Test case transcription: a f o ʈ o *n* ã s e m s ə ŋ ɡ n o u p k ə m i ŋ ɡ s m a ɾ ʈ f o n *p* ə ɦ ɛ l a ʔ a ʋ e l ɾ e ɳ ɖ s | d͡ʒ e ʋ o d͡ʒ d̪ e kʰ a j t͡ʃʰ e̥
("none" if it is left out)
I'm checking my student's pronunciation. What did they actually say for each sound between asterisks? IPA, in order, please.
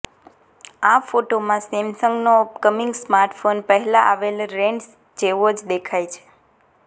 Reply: m, p

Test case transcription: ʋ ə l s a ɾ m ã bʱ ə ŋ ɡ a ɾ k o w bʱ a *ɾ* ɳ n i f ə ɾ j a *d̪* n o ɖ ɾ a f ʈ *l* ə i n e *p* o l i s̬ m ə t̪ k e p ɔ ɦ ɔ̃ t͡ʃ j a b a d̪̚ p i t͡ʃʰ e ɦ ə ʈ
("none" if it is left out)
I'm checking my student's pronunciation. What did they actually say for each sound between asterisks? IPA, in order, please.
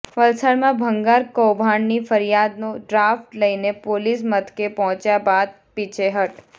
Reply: none, d̪, l, p

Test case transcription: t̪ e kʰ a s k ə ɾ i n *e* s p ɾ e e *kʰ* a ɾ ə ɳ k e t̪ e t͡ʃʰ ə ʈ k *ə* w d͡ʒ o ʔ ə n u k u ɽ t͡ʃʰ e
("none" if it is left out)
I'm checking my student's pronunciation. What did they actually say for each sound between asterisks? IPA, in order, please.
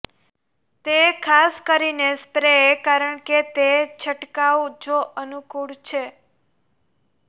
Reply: e, k, a

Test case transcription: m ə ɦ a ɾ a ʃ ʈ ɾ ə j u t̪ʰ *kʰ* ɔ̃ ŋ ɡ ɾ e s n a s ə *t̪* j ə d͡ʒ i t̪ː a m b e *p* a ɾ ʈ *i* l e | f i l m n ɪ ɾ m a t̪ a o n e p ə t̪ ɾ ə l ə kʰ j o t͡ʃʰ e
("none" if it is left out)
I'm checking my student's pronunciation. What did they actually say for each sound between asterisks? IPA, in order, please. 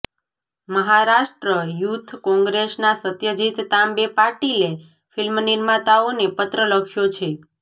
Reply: k, t̪, p, i

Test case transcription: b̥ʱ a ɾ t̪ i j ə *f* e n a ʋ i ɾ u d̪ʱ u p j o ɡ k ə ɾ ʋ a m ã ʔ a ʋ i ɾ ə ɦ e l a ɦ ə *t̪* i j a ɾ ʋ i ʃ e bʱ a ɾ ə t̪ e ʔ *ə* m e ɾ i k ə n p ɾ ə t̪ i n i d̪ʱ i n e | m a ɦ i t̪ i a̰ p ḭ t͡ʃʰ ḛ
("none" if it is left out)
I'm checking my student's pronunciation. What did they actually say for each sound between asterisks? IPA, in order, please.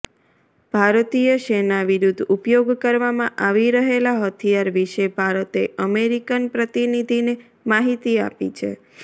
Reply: ʃ, t̪ʰ, ə

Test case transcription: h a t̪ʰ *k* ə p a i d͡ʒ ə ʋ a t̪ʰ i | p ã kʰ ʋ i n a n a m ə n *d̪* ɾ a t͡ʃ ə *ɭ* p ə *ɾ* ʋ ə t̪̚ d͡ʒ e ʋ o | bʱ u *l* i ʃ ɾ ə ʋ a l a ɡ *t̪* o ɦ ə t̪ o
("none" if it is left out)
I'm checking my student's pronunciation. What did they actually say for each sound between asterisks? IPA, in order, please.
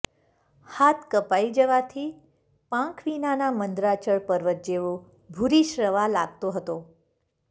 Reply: k, d̪, ɭ, ɾ, ɾ, t̪

